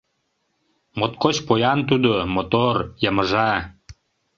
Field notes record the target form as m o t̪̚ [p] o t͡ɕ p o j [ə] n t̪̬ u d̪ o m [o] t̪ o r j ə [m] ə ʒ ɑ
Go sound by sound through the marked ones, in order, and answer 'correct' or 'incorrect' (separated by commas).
incorrect, incorrect, correct, correct